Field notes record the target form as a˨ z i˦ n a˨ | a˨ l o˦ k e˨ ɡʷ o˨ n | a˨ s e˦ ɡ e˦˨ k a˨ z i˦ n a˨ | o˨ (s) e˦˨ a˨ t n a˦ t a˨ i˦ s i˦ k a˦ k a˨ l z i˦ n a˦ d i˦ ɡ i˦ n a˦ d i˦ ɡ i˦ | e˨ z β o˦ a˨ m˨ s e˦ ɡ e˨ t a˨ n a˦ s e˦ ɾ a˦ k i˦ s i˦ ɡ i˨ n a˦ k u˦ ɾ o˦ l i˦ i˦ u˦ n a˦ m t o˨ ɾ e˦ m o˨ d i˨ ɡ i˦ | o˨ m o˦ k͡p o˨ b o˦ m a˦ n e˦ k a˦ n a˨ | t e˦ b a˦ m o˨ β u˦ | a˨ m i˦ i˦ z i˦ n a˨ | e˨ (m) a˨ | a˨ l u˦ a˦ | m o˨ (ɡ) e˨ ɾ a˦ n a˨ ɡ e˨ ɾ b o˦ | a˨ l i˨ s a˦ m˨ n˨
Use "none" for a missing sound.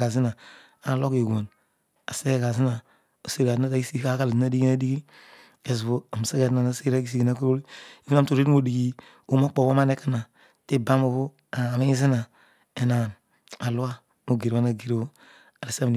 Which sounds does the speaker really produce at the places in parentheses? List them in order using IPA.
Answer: s, n, ɡ

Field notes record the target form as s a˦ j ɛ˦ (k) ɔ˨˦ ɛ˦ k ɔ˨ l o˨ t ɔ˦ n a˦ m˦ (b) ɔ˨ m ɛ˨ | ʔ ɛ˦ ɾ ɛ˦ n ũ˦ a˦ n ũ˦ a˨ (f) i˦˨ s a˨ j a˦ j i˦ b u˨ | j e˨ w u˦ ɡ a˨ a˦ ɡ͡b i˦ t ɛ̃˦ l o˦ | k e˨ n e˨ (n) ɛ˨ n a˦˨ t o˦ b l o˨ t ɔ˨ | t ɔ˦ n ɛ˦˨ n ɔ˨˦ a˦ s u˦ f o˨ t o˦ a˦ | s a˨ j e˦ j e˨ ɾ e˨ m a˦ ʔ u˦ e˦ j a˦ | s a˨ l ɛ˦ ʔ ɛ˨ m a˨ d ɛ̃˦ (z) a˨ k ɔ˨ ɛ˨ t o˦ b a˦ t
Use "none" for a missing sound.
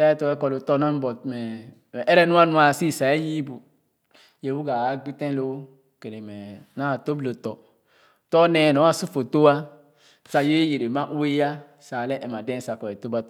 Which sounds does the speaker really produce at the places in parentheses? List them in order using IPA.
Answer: t, b, s, m, s

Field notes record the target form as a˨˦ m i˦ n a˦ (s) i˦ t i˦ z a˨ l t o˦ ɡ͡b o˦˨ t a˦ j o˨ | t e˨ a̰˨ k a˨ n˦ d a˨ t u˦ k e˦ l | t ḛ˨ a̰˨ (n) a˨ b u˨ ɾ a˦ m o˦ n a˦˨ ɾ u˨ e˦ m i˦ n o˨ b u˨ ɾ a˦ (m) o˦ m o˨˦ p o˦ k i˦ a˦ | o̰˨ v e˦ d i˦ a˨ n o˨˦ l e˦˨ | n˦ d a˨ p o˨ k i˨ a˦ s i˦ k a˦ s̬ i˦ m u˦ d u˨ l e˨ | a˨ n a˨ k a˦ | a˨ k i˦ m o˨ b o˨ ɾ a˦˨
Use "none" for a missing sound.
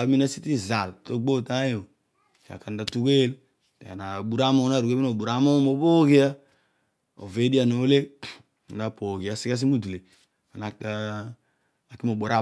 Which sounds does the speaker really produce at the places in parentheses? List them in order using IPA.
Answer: s, n, m

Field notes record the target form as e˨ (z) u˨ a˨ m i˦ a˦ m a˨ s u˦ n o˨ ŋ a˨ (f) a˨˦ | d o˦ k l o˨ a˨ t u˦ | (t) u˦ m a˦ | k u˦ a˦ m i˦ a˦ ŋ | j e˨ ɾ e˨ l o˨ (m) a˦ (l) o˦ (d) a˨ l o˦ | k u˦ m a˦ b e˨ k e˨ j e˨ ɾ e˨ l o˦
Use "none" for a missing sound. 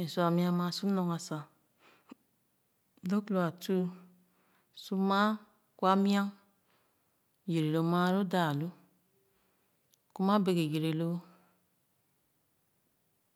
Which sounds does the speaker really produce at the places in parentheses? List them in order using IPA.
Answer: s, s, s, m, ɾ, d

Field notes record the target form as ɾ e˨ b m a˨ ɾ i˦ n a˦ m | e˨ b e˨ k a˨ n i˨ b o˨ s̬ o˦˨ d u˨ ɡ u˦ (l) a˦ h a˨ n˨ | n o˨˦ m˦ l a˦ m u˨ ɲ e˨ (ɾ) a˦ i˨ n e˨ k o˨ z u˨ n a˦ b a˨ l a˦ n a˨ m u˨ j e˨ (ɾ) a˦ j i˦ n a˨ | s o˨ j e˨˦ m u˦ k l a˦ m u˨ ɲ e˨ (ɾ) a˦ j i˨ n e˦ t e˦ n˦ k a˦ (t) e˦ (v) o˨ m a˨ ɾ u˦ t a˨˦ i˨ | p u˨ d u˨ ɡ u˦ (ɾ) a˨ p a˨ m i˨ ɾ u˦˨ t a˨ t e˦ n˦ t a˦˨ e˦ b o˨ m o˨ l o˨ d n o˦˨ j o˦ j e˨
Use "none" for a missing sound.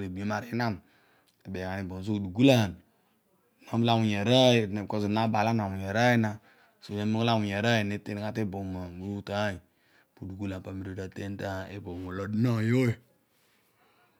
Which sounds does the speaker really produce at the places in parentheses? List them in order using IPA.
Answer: l, ɾ, ɾ, ɾ, t, b, l

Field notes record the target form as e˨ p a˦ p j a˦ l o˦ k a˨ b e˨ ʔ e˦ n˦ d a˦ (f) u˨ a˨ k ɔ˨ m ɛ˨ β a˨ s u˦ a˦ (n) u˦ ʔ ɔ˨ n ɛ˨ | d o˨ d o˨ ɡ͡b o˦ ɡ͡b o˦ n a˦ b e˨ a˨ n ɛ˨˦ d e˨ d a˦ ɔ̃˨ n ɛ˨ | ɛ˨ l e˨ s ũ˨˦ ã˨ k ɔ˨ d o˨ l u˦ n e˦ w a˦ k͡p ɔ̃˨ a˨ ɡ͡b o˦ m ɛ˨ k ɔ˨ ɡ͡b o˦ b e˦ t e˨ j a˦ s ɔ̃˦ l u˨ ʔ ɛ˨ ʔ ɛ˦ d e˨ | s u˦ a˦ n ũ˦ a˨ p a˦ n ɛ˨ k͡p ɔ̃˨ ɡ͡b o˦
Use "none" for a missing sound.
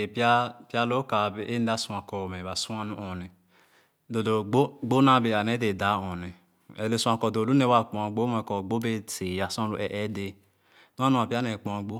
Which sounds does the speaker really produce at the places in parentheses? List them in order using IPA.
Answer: s, n

